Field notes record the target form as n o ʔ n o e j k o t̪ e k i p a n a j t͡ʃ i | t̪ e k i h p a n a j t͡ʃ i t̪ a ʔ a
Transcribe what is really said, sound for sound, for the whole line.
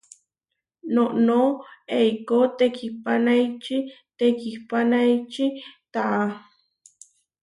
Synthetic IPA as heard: n o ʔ n o e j k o t̪ e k i p a n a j t͡ʃ i | t̪ e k i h p a n a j t͡ʃ i t̪ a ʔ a